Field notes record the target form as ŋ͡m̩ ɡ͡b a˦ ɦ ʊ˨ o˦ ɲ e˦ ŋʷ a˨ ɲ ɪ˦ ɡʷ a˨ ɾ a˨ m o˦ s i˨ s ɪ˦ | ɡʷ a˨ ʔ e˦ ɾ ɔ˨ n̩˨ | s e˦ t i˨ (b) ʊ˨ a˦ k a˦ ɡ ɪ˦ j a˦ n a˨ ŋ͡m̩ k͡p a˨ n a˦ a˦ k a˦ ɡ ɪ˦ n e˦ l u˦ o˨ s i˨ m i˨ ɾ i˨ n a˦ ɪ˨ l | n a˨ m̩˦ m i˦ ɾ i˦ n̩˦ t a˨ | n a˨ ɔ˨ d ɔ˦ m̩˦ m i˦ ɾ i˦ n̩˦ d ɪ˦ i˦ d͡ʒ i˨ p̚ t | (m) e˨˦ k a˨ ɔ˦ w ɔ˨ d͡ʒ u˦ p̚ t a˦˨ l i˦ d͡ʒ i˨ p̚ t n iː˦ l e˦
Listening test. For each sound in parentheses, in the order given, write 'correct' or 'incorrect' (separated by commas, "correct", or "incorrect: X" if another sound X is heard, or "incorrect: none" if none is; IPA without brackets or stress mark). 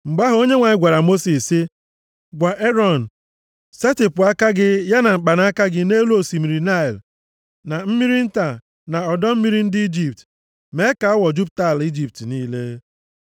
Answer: incorrect: p, correct